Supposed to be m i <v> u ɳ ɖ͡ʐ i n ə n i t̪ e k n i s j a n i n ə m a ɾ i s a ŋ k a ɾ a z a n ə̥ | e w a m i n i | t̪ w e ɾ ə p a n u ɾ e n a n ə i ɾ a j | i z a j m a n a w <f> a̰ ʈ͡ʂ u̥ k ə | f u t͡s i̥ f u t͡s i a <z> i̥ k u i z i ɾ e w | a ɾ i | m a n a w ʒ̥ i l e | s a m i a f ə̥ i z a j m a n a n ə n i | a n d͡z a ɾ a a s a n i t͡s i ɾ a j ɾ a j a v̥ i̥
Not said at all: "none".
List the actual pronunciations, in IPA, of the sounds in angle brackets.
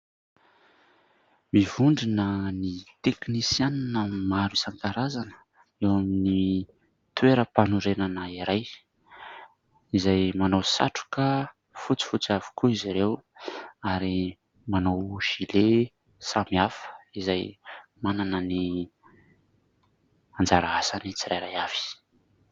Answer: v, s, v

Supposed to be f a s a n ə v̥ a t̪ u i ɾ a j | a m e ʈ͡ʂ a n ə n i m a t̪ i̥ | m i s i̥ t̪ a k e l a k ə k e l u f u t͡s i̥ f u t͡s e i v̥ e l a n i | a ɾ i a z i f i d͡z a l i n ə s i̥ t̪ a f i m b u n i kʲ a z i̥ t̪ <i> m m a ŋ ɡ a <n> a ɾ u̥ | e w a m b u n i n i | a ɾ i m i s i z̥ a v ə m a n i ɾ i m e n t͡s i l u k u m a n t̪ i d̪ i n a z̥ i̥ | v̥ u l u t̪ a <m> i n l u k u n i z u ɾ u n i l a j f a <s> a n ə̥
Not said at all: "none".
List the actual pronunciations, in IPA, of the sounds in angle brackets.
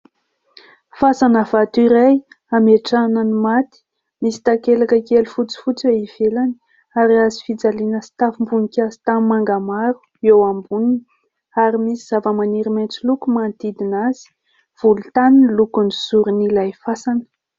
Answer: a, m, n, s

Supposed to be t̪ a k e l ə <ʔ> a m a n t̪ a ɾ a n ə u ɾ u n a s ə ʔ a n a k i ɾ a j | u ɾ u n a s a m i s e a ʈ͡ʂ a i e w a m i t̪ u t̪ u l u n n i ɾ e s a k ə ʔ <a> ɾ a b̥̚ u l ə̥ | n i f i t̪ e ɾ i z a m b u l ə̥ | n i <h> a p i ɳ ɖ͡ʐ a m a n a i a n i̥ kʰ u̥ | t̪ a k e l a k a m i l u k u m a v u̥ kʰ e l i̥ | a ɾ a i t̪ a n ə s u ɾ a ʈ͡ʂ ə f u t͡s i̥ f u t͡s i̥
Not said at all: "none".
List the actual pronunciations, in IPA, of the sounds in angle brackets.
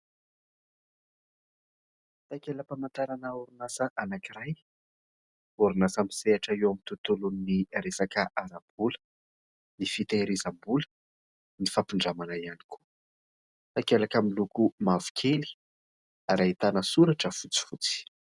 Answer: p, a, f

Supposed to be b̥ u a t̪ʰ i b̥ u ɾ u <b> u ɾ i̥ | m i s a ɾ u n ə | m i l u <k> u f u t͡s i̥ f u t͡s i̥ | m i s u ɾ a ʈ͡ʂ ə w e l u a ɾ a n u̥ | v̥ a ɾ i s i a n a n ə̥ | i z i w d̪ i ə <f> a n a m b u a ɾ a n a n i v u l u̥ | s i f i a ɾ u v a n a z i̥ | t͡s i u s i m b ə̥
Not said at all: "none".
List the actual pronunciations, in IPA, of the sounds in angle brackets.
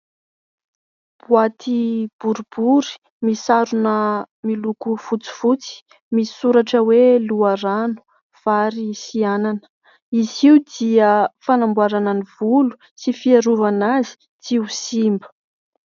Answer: b, k, f

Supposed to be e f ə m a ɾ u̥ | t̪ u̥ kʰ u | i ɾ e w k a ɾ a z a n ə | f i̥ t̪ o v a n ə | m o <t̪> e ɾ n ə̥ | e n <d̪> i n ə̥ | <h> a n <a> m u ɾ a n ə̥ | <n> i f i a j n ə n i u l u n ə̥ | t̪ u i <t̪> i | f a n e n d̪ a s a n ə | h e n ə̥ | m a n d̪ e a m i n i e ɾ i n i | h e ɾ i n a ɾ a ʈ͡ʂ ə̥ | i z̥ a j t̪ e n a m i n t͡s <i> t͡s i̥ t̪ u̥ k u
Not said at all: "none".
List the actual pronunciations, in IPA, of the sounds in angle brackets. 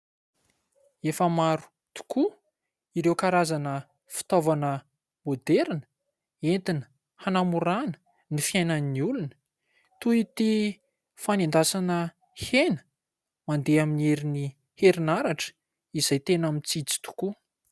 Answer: d̪, t̪, h, a, n, t̪, i

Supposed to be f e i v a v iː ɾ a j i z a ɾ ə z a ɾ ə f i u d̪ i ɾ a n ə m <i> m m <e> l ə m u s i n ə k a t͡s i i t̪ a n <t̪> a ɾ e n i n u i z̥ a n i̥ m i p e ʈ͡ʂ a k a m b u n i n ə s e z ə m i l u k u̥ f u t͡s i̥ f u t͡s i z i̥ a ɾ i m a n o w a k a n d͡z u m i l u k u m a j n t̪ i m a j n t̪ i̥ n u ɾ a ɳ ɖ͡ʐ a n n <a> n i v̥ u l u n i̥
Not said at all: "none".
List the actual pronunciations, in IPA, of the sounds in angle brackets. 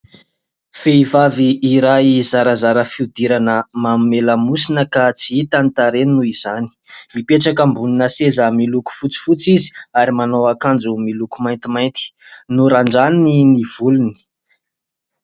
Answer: a, e, t̪, i

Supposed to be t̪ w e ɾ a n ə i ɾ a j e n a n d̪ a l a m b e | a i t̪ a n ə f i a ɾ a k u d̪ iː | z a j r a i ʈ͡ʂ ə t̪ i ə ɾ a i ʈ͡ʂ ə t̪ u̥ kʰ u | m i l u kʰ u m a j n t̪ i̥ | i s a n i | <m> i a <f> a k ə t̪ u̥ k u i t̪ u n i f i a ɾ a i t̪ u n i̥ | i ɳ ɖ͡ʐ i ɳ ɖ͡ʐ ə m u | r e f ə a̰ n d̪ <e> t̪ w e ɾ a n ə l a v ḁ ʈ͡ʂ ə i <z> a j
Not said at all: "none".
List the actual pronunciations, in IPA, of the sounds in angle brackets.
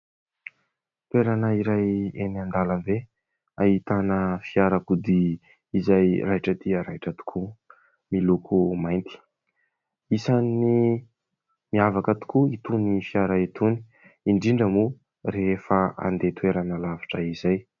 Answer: m, v, e, z

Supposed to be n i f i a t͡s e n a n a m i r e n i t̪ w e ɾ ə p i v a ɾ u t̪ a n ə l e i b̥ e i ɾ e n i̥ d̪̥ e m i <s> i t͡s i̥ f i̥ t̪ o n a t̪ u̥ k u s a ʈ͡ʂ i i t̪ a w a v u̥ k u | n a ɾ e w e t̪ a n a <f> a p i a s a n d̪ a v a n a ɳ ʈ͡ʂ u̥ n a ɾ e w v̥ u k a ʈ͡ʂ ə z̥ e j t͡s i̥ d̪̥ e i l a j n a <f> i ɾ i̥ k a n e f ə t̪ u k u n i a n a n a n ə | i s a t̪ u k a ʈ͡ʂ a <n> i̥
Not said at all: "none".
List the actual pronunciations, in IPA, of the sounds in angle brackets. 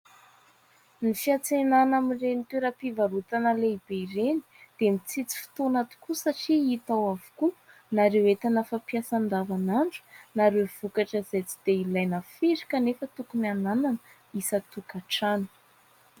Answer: t͡s, f, f, n

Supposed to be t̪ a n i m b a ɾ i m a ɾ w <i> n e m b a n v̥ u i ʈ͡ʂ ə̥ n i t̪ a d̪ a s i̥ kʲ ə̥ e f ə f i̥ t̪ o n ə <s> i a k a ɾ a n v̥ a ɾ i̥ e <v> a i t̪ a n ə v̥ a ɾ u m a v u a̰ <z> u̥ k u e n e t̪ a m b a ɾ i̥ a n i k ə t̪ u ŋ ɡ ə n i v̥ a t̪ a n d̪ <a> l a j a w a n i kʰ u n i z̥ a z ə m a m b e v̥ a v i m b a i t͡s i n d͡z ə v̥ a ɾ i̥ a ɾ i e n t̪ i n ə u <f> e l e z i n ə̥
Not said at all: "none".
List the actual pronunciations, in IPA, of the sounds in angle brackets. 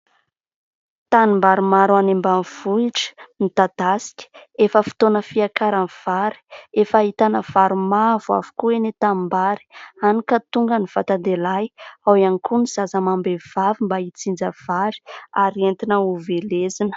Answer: a, f, f, v, e, v

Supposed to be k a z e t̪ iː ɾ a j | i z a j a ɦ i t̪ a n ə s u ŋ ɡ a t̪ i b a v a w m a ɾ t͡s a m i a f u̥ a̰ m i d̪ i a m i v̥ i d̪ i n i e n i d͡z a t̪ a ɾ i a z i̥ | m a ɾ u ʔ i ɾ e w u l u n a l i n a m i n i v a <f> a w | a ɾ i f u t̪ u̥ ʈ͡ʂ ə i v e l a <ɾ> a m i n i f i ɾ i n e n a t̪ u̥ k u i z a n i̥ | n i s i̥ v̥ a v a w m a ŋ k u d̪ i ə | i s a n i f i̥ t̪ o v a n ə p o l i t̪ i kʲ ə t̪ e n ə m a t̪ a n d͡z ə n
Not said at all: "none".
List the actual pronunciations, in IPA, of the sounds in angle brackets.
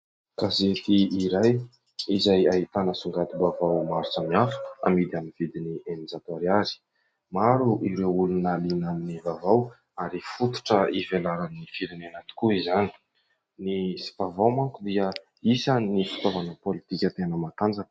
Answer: v, ɾ

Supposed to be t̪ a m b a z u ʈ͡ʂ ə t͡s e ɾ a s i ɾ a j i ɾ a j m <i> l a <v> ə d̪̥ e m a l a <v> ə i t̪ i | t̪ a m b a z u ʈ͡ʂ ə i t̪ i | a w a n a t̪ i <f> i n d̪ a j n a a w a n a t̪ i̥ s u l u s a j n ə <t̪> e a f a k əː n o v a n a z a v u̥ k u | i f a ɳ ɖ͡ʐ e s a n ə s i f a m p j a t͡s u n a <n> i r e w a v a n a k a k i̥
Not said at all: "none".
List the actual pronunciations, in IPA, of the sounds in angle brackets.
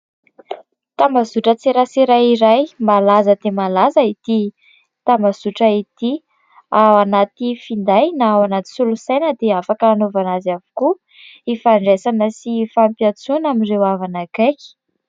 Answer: a, z, z, f, d̪, m

